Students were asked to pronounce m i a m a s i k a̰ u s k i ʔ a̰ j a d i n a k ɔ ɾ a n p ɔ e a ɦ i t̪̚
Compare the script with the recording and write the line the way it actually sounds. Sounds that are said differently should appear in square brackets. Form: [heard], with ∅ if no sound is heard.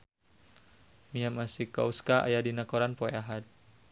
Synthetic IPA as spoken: m i a m a s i k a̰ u s k [a] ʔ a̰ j a d i n a k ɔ ɾ a n p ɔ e a ɦ [a] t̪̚